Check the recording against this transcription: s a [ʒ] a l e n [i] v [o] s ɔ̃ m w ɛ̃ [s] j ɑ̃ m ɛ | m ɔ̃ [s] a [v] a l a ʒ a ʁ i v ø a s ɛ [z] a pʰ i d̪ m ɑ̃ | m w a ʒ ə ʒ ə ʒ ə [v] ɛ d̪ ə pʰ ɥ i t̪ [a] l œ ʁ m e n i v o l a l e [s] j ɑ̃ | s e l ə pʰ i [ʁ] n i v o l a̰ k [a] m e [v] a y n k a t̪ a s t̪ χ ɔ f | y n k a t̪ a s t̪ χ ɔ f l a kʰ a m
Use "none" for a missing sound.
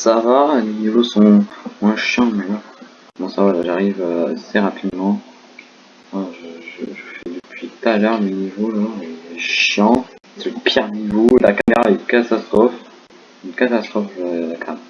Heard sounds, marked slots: v, i, o, ʃ, s, v, ʁ, f, a, ʃ, ʁ, a, ʁ

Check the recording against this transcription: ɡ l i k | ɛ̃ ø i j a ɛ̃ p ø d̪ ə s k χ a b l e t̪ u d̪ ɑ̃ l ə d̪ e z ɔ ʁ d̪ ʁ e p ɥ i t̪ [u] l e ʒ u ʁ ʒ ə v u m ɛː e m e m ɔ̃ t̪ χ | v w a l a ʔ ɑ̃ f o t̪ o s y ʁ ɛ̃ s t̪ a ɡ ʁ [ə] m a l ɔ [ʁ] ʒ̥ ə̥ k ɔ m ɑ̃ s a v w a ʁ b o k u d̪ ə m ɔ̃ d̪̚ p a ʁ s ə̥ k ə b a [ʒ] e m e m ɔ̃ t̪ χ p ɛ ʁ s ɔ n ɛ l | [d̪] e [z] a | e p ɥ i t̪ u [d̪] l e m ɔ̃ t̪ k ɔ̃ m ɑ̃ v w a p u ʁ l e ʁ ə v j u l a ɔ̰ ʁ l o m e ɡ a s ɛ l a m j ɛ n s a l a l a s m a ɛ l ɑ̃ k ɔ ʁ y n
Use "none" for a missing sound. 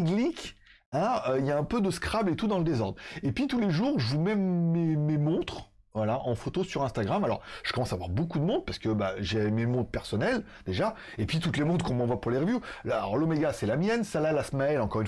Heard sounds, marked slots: u, a, ʁ, ʒ, d̪, ʒ, t̪

